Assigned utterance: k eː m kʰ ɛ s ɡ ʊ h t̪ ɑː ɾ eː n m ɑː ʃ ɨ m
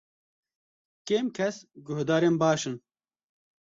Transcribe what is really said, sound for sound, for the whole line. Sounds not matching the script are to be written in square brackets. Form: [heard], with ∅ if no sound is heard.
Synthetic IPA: k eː m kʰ ɛ s ɡ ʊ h [d̪] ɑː ɾ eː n [b] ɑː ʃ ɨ [n]